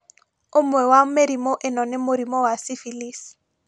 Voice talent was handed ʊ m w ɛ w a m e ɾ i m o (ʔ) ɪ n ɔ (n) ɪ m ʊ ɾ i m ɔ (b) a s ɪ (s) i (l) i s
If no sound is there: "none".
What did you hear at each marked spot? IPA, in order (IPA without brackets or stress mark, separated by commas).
ʔ, n, w, f, l